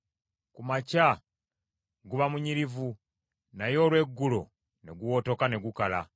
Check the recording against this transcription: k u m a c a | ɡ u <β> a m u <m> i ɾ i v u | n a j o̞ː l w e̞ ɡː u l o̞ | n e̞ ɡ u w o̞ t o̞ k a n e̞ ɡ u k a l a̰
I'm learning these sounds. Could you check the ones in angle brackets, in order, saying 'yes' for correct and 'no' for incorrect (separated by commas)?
yes, no